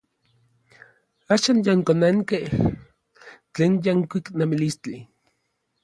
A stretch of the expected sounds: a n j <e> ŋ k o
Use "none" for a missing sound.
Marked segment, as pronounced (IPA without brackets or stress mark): a